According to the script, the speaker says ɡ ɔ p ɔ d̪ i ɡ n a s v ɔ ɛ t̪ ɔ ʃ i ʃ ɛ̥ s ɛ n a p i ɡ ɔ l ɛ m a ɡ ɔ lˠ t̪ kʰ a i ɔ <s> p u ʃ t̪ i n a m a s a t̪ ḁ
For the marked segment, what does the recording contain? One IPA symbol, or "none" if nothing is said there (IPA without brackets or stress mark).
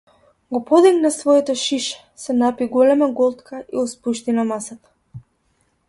s